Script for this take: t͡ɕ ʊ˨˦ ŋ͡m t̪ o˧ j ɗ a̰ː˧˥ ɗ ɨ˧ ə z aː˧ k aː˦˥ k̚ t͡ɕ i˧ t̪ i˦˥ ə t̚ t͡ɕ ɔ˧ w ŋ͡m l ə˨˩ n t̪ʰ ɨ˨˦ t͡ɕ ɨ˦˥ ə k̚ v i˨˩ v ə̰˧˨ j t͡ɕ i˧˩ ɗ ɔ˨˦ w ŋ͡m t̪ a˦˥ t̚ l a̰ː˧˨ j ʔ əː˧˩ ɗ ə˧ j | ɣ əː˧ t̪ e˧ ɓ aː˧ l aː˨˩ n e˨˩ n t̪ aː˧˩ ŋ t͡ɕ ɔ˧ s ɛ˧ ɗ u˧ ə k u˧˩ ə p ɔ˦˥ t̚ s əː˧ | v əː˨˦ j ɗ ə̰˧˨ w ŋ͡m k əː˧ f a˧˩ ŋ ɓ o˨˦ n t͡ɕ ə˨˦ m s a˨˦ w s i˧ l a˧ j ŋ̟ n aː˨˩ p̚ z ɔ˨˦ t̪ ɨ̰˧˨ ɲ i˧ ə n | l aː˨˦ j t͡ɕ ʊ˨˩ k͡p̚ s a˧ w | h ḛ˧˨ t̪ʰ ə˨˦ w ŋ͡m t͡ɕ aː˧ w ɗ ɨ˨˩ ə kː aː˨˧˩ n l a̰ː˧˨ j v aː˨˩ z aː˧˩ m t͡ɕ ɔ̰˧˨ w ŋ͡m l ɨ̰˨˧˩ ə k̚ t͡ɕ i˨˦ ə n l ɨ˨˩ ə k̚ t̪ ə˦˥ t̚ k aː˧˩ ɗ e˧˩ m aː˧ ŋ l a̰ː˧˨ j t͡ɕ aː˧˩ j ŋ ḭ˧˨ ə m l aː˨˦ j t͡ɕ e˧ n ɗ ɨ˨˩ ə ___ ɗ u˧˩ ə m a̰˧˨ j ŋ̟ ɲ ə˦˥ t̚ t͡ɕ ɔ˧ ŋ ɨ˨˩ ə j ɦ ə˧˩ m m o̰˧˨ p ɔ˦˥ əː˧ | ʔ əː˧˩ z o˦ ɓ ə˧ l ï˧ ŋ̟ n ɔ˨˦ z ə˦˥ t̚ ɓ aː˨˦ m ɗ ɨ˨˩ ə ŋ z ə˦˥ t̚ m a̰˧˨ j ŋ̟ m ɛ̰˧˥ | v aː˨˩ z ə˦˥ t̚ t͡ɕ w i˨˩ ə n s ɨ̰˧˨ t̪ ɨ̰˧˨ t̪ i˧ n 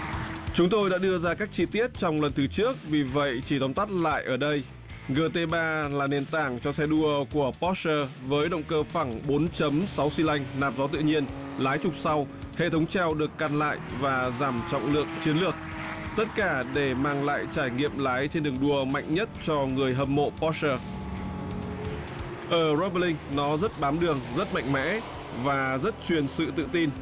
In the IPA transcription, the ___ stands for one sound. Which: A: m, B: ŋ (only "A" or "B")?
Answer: B